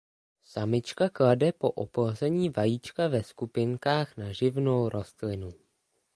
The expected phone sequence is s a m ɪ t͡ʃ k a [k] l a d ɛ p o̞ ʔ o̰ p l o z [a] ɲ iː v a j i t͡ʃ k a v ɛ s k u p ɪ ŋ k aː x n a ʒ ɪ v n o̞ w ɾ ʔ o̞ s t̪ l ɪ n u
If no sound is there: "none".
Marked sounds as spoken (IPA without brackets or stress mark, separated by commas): k, ɛ